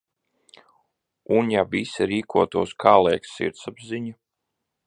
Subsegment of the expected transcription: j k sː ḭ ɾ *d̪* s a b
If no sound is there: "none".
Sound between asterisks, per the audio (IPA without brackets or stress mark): t̪